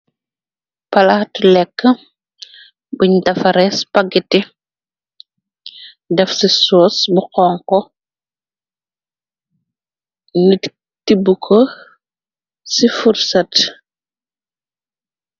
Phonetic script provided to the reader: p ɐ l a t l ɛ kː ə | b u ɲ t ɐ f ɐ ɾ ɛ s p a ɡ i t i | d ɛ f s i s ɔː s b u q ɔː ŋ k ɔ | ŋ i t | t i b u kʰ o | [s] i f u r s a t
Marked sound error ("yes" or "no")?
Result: no